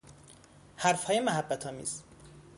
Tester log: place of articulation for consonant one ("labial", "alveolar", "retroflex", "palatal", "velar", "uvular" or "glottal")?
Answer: glottal